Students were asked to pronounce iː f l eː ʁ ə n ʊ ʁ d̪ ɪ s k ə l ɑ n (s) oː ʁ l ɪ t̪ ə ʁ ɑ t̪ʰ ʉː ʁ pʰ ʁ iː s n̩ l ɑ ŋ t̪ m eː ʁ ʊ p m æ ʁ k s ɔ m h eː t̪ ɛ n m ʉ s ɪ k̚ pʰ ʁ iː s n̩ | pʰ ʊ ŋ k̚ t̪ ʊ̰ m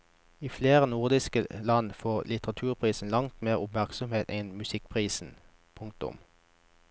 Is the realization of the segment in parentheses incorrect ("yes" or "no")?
yes